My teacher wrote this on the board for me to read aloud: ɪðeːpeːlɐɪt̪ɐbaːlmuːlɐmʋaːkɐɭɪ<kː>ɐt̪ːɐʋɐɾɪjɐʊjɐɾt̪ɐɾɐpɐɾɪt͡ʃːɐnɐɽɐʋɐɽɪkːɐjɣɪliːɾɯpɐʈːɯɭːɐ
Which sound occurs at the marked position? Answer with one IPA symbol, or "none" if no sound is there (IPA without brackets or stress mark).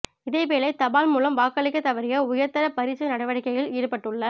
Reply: kː